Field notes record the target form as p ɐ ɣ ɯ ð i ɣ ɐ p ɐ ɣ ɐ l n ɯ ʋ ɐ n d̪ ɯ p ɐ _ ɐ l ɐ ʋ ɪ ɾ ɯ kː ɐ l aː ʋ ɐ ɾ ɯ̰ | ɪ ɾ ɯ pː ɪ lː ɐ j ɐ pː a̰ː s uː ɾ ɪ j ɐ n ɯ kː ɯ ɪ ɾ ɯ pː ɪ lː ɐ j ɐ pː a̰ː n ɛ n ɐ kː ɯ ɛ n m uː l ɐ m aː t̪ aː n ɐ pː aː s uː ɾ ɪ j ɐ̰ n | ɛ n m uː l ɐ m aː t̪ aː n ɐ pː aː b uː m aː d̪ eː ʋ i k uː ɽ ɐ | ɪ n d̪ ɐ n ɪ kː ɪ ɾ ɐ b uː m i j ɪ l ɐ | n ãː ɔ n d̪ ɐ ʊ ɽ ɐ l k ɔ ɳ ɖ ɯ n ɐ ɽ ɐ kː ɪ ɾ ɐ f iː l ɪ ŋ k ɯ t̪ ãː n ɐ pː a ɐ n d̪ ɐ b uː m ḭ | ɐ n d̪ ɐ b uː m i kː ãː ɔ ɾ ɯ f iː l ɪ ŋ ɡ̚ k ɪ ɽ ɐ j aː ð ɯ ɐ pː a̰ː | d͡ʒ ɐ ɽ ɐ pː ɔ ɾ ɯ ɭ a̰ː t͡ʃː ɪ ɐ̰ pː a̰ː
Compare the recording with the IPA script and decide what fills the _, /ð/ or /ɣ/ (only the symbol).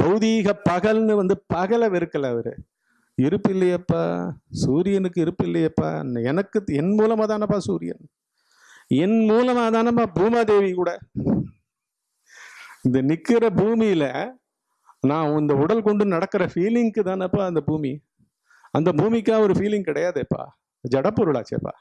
ɣ